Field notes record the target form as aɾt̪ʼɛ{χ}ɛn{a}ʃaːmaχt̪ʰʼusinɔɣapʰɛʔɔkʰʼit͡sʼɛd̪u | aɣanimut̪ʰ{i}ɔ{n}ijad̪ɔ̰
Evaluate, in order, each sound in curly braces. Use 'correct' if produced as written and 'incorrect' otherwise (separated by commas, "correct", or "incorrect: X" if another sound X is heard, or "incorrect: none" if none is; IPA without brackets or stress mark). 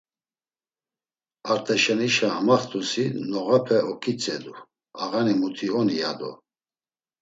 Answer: incorrect: ʃ, incorrect: i, correct, correct